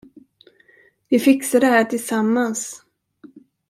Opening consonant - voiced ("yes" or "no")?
yes